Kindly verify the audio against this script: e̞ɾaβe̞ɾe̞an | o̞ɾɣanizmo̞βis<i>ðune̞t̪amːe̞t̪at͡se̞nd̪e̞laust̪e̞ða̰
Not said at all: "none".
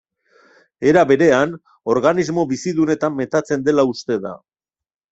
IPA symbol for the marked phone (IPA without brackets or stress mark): i